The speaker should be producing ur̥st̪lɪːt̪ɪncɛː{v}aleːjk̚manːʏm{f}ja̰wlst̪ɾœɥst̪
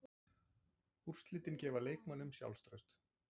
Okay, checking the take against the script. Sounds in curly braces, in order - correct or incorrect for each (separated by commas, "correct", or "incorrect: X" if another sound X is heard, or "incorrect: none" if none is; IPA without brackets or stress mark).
correct, incorrect: s